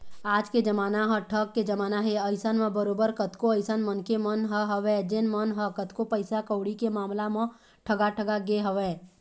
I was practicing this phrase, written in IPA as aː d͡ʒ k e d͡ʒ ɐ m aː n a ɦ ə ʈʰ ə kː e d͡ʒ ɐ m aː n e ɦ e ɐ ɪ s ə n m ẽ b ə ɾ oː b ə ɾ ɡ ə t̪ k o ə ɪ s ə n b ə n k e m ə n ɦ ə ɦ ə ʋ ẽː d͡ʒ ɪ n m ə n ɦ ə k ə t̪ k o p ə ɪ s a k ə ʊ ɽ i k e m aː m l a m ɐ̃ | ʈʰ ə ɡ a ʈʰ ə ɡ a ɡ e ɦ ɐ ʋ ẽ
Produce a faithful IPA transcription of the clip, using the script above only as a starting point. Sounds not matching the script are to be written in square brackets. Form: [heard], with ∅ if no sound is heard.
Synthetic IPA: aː d͡ʒ k e d͡ʒ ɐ m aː n a ɦ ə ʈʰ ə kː e d͡ʒ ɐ m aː n [a] ɦ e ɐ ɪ s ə n m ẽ b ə ɾ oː b ə ɾ [k] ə t̪ k o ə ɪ s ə n [m] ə n k e m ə n ɦ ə ɦ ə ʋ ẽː d͡ʒ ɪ n m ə n ɦ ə k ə t̪ k o p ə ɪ s a k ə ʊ ɽ i k e m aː m l a m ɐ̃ | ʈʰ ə ɡ a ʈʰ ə ɡ a ɡ e ɦ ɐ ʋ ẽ